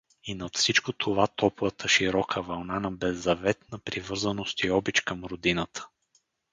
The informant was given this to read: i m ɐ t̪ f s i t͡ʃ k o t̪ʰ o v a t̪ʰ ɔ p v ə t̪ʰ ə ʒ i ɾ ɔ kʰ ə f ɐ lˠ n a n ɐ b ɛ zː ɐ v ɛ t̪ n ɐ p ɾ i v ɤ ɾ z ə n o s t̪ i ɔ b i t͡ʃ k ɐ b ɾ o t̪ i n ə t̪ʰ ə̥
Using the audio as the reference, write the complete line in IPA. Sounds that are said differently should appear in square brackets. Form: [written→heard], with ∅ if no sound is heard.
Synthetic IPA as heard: i [m→n] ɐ t̪ f s i t͡ʃ k o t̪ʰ o v a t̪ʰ ɔ p v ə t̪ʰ ə [ʒ→ʃ] i ɾ ɔ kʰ ə [f→v] ɐ lˠ n a n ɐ b ɛ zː ɐ v ɛ t̪ n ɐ p ɾ i v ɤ ɾ z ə n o s t̪ i ɔ b i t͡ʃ k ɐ [b→m] ɾ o [t̪→d̪] i n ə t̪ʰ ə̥